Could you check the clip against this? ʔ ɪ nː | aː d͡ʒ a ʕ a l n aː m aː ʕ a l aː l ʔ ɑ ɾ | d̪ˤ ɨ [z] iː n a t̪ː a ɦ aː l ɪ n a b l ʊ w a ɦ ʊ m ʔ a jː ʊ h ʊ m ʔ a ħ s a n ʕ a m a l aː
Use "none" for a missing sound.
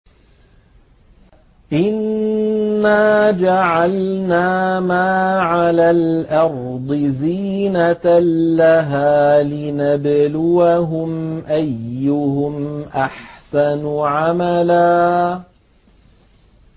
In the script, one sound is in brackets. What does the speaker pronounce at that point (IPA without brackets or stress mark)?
z